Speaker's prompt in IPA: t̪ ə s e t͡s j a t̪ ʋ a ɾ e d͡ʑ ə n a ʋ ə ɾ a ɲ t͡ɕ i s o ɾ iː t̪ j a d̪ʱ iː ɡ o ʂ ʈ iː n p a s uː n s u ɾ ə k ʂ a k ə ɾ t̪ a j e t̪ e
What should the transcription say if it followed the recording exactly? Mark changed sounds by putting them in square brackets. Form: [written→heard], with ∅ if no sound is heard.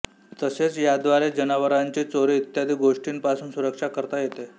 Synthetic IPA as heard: t̪ ə s e t͡s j a [t̪→d̪] ʋ a ɾ e d͡ʑ ə n a ʋ ə ɾ a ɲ t͡ɕ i [s→t͡s] o ɾ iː t̪ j a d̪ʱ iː ɡ o ʂ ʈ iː n p a s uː n s u ɾ ə k ʂ a k ə ɾ t̪ a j e t̪ e